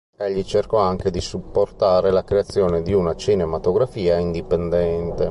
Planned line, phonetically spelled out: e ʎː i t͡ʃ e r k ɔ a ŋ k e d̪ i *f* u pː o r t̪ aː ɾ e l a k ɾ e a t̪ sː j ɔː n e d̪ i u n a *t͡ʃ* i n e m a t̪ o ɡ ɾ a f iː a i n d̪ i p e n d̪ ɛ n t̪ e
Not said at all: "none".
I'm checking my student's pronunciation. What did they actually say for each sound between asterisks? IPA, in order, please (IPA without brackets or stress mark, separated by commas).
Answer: s, t͡ʃ